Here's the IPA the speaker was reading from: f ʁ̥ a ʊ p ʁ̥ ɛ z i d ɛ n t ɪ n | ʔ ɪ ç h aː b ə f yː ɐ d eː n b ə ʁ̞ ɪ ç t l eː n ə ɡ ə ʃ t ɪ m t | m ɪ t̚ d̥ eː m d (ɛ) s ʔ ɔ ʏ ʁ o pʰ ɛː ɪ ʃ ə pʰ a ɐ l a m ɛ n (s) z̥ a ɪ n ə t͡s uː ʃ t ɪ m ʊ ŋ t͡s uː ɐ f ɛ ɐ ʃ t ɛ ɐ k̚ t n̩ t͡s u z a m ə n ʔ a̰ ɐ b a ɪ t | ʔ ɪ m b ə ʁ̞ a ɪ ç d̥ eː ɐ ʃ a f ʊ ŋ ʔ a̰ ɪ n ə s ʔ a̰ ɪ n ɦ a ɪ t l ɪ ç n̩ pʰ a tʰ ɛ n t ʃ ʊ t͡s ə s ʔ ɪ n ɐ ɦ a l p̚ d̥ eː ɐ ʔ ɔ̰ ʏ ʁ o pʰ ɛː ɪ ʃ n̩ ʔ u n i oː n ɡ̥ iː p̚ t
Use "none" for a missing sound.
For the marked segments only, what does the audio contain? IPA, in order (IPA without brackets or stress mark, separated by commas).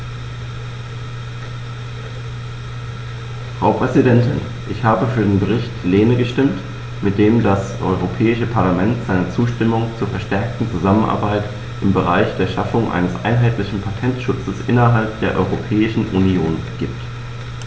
a, t